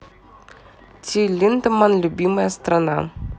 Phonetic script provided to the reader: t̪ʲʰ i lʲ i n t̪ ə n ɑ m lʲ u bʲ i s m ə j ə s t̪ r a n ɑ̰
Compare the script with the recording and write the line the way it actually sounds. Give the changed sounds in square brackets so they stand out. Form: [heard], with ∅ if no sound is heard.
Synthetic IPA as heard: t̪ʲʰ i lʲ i n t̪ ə [m] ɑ [n] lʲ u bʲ i [∅] m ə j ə s t̪ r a n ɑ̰